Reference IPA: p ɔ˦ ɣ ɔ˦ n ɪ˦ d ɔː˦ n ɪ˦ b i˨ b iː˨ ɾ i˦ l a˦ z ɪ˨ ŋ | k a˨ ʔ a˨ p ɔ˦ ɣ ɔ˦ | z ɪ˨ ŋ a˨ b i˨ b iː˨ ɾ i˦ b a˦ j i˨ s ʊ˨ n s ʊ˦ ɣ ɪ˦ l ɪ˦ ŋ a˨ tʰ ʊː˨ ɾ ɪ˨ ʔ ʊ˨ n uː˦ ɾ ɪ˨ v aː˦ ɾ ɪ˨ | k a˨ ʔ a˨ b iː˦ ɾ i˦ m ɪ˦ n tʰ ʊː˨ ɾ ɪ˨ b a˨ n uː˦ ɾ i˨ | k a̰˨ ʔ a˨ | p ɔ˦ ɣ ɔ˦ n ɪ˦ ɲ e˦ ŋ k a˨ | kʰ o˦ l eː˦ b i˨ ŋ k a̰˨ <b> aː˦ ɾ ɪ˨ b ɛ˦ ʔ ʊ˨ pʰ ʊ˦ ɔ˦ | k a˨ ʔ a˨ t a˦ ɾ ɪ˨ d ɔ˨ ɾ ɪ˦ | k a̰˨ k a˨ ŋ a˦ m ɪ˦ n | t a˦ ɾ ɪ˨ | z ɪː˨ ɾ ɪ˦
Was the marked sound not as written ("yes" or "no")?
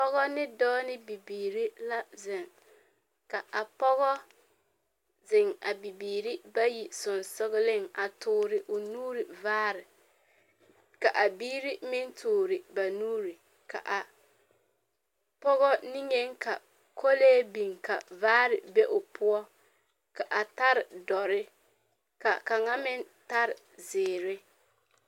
yes